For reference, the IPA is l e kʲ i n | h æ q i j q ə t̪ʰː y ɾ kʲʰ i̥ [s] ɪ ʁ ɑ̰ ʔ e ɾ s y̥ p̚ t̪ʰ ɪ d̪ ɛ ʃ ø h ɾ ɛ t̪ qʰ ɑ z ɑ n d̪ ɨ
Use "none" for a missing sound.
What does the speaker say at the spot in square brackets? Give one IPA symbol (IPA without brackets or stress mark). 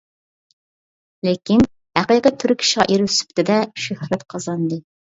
ʃ